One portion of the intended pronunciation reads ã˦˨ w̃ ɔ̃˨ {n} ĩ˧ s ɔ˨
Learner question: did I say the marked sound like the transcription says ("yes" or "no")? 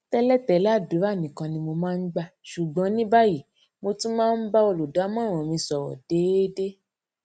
no